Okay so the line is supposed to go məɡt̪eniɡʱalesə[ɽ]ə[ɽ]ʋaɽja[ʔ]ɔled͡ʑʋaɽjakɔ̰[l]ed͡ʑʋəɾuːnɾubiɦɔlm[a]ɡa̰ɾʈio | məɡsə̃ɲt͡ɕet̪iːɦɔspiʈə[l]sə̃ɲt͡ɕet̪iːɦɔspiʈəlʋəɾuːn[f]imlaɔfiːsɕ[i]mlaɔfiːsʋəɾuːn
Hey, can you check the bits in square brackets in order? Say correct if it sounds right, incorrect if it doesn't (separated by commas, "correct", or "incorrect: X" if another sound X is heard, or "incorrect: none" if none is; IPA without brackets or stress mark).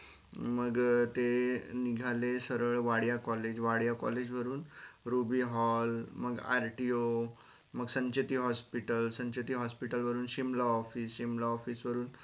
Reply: incorrect: ɾ, incorrect: ɭ, incorrect: k, correct, incorrect: ə, correct, incorrect: ɕ, correct